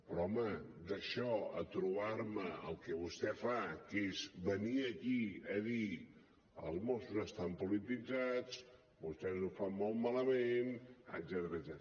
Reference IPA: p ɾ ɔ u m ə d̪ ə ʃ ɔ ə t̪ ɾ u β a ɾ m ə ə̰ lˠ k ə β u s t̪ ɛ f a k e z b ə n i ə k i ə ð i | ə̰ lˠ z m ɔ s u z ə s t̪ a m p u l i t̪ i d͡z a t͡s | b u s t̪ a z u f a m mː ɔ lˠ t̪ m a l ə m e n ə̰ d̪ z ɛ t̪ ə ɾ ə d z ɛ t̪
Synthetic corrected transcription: p ɾ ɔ ɔ m ə d̪ ə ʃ ɔ ə t̪ ɾ u β a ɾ m ə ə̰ lˠ k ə β u s t̪ ɛ f a k e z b ə n i ə k i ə ð i | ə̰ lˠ z m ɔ s u z ə s t̪ a m p u l i t̪ i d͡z a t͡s | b u s t̪ ɛ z u f a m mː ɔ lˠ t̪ m a l ə m e n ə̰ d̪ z ɛ t̪ ə ɾ ə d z ɛ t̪